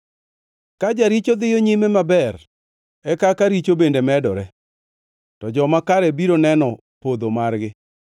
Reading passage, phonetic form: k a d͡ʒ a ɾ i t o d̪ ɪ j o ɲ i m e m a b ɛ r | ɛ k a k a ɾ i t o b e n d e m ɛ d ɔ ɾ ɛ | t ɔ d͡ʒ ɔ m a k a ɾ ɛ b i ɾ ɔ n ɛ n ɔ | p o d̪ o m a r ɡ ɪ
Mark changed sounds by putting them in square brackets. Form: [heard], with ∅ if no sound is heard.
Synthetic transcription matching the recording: k a d͡ʒ a ɾ i [t͡ʃ] o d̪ ɪ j o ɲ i m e m a b ɛ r | ɛ k a k a ɾ i [t͡ʃ] o b e n d e m ɛ d ɔ ɾ ɛ | t ɔ d͡ʒ ɔ m a k a ɾ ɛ b i ɾ [o] n ɛ n ɔ | p o d̪ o m a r ɡ ɪ